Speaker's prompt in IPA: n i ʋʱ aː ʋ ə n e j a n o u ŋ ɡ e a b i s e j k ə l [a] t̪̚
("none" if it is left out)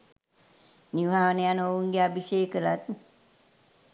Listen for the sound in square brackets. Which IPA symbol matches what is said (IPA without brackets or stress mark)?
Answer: a